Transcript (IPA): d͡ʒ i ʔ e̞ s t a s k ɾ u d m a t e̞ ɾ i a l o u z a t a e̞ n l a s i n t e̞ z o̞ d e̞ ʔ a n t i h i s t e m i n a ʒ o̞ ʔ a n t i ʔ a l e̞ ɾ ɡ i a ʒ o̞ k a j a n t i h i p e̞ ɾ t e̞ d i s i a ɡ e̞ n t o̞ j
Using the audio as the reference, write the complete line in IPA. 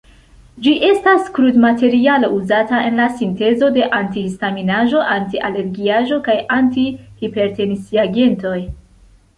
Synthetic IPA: d͡ʒ i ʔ e̞ s t a s k ɾ u d m a t e̞ ɾ i a l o u z a t a e̞ n l a s i n t e̞ z o̞ d e̞ ʔ a n t i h i s t a m i n a ʒ o̞ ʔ a n t i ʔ a l e̞ ɾ ɡ i a ʒ o̞ k a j a n t i h i p e̞ ɾ t e̞ n i s i a ɡ e̞ n t o̞ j